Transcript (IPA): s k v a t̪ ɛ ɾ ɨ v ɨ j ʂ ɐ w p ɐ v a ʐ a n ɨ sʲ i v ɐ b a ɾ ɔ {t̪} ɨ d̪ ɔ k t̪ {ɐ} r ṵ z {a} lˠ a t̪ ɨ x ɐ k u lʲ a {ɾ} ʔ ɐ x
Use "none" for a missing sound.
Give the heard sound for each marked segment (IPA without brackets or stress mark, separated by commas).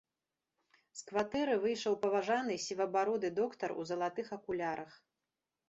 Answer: d̪, ɐ, ɐ, ɾ